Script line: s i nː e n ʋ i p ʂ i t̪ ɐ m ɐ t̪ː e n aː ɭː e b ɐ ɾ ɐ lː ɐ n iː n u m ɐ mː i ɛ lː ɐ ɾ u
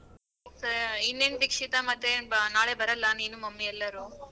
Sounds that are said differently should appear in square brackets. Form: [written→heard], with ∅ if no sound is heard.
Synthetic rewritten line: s i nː e n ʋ i [p→k] ʂ i t̪ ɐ m ɐ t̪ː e n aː [ɭː→ɭ] e b ɐ ɾ ɐ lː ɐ n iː n u m ɐ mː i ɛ lː ɐ ɾ u

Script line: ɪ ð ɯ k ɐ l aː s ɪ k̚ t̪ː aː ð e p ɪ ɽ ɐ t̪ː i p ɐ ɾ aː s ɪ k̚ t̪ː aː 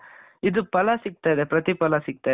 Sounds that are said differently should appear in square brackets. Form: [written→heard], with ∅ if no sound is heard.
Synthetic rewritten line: ɪ ð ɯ [k→p] ɐ l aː s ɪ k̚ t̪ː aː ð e p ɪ [ɽ→ɾ] ɐ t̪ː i p ɐ [ɾ→l] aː s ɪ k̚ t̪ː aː

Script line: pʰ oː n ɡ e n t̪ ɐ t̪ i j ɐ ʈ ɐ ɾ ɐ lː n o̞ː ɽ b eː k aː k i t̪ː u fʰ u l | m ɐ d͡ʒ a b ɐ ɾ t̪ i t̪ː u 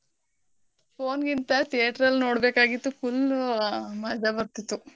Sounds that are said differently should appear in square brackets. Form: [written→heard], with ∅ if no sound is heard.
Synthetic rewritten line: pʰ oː n ɡ [e→i] n t̪ ɐ t̪ i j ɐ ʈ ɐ ɾ ɐ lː n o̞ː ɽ b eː k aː [k→ɡ] i t̪ː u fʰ u l | m ɐ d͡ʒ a b ɐ ɾ t̪ i t̪ː u

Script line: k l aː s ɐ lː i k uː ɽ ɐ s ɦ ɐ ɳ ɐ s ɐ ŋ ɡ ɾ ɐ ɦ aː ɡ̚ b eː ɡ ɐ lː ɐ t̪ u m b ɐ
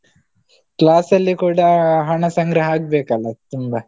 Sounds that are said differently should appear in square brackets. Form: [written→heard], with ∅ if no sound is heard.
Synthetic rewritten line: k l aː s ɐ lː i k uː ɽ ɐ [s→∅] ɦ ɐ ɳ ɐ s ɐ ŋ ɡ ɾ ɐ ɦ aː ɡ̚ b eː [ɡ→k] ɐ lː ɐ t̪ u m b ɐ

